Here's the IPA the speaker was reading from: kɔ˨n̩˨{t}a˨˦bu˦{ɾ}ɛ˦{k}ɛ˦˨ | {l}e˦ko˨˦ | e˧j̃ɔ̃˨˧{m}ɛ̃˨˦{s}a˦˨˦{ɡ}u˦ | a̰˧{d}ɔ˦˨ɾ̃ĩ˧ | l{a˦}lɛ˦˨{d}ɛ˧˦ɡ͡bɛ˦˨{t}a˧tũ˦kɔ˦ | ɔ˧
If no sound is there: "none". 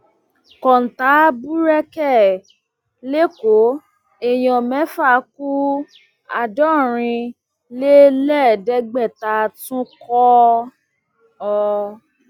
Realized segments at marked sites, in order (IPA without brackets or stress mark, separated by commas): t, ɾ, k, l, m, f, k, d, e˦, d, t